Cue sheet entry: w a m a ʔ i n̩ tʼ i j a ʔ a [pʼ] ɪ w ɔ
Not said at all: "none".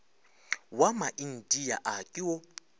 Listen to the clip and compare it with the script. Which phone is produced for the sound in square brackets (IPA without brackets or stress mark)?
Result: kʼ